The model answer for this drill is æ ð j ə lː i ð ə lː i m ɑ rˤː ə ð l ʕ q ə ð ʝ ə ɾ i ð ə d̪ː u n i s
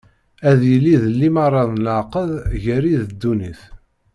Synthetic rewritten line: æ ð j ə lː i ð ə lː i m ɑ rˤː ɑ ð l ʕ q ə ð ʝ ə ɾ i ð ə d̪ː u n i θ

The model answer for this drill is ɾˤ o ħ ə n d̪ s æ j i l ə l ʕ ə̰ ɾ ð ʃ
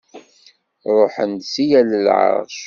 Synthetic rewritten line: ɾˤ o ħ ə n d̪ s i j æ l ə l ʕ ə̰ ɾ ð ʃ

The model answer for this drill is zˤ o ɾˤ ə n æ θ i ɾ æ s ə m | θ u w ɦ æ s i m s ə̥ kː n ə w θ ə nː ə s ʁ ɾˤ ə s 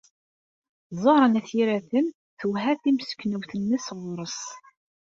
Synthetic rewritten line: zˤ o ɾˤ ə n æ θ i ɾ æ θ ə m | θ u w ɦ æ θ i m s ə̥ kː n ə w θ ə nː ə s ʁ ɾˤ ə s

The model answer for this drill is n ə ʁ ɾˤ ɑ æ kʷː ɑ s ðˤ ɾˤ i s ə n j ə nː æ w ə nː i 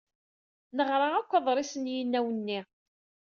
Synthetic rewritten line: n ə ʁ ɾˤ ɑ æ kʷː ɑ ðˤ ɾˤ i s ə n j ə nː æ w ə nː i

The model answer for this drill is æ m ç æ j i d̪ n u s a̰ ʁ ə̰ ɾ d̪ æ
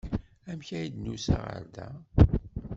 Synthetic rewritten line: æ m ç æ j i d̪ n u s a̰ ʁ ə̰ ɾ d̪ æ

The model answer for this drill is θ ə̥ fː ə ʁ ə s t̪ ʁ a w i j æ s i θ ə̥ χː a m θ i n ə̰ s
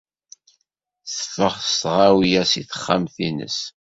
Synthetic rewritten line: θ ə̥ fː ə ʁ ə s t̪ ʁ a w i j æ s i θ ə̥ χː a m θ i n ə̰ s

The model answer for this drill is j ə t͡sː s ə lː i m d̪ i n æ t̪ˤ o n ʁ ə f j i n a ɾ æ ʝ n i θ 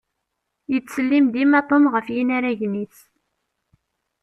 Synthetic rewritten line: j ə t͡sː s ə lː i m d̪ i m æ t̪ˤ o m ʁ ə f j i n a ɾ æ ʝ n i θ

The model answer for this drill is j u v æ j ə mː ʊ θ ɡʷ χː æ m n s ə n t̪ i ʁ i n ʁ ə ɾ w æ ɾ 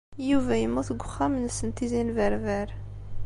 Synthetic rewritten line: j u v æ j ə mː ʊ θ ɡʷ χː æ m n s ə n t̪ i z i n v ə ɾ v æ ɾ

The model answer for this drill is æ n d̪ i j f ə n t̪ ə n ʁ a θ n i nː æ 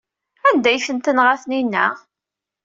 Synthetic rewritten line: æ n d̪ æ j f ə n t̪ ə n ʁ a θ n i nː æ

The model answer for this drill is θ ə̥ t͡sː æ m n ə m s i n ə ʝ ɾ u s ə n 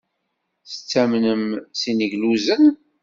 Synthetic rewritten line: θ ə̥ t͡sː æ m n ə m s i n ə ʝ l u z ə n

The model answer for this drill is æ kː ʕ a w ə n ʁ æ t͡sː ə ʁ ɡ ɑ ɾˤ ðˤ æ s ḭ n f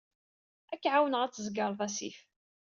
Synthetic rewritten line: æ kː ʕ a w ə n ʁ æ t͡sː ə z ɡ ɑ ɾˤ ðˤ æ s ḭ f

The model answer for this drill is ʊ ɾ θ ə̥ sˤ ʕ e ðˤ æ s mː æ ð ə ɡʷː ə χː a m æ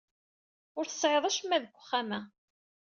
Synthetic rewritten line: ʊ ɾ θ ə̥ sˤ ʕ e ðˤ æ ʃ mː æ ð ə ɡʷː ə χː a m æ

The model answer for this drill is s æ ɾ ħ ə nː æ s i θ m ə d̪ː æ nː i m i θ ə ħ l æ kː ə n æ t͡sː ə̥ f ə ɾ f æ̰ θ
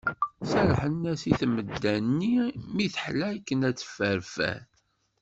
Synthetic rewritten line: s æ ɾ ħ ə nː æ s i θ m ə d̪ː æ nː i m i θ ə ħ l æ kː ə n æ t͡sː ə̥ f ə ɾ f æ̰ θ

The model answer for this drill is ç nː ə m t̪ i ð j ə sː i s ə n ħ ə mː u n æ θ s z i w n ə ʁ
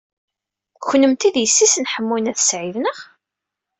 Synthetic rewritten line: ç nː ə m t̪ i ð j ə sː i s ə n ħ ə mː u n æ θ s ʕ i v n ə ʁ

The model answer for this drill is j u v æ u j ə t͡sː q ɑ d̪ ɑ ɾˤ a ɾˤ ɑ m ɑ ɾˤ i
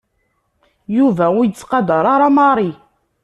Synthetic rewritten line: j u v æ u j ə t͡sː q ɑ d̪ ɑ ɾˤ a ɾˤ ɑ m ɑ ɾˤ i

